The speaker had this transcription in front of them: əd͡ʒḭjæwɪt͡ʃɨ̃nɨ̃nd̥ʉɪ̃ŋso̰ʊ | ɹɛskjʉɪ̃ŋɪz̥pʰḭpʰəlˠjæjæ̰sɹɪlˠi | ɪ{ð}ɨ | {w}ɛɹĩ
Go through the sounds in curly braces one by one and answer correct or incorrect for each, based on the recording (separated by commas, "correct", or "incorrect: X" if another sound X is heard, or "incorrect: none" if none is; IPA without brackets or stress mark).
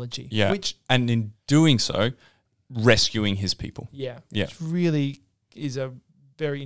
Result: incorrect: z, incorrect: v